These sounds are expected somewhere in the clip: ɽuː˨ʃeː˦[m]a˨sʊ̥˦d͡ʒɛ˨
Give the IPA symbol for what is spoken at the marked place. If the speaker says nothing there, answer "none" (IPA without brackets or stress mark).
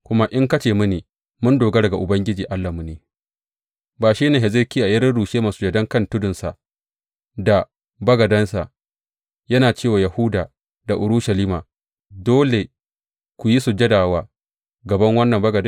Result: m